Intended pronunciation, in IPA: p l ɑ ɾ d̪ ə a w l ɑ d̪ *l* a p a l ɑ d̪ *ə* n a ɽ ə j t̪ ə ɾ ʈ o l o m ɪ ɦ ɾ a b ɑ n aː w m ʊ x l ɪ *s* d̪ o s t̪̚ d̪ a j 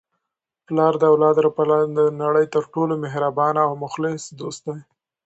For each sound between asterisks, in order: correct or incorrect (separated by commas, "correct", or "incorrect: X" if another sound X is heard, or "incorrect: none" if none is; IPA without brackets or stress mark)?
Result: incorrect: ɾ, correct, correct